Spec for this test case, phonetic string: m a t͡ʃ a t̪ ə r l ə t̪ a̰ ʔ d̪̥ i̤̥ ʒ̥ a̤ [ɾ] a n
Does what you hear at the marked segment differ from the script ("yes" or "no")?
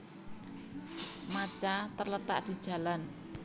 yes